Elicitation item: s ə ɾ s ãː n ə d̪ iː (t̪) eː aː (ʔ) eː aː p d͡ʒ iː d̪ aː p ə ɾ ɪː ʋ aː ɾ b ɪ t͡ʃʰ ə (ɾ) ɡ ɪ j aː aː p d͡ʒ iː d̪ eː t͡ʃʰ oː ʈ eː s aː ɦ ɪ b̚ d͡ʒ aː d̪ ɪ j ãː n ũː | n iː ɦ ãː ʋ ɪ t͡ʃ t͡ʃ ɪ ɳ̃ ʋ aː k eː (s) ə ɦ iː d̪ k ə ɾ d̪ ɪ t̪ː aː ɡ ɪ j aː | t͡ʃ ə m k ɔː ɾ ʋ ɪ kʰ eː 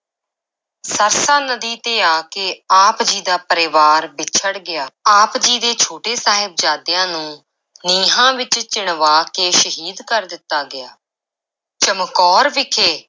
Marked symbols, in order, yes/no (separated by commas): yes, no, no, no